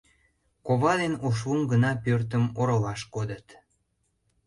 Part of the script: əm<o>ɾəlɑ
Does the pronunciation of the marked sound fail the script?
no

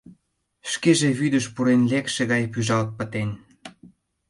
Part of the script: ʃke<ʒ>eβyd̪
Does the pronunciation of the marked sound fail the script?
no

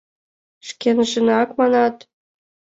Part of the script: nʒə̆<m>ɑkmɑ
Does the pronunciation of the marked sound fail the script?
yes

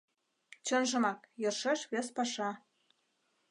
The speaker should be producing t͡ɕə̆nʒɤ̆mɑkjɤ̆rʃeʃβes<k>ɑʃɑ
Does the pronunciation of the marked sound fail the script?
yes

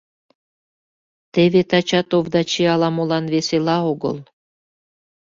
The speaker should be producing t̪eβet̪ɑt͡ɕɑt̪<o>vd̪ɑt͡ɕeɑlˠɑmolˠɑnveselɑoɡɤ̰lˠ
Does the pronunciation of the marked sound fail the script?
no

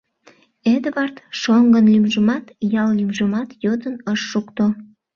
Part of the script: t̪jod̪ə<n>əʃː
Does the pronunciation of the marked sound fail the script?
no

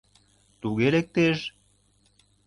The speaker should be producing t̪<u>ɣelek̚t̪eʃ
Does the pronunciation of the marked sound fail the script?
no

